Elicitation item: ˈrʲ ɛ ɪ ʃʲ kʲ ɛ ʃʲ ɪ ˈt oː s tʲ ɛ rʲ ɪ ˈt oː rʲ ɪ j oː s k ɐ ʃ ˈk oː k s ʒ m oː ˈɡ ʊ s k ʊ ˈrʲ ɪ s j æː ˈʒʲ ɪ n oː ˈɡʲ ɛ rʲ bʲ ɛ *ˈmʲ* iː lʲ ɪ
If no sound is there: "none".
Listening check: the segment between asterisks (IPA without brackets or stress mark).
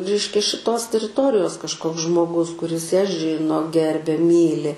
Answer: mʲ